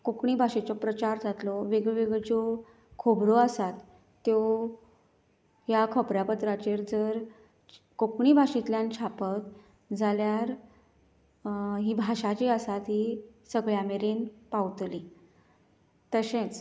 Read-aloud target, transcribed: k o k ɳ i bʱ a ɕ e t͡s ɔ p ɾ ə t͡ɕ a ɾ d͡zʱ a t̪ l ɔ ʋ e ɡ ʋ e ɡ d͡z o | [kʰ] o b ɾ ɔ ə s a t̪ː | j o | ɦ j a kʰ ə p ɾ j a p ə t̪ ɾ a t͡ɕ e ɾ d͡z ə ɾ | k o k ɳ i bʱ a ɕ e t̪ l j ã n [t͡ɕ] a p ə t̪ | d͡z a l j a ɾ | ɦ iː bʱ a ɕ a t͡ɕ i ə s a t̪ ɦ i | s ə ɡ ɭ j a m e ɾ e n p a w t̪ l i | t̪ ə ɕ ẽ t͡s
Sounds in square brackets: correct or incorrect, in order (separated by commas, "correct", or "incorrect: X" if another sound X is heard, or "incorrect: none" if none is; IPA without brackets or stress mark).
correct, incorrect: t͡ɕʰ